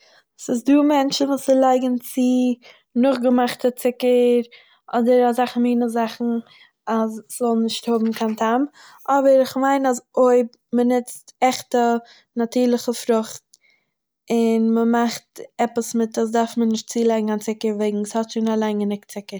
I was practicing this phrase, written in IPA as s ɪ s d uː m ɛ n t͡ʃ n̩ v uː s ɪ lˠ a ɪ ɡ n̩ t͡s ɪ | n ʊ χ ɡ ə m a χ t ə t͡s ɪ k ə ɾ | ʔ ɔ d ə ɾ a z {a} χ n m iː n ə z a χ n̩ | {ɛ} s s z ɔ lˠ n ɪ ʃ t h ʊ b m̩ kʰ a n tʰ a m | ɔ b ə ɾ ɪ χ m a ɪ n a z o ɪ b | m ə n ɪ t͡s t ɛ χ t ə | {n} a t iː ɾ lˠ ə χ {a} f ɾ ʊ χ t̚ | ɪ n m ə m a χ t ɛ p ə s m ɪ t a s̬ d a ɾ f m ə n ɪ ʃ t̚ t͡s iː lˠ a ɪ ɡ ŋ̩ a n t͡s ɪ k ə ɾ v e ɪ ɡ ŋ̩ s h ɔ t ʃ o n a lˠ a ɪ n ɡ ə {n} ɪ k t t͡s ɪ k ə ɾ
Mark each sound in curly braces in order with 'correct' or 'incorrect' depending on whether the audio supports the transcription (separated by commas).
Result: correct, incorrect, correct, incorrect, correct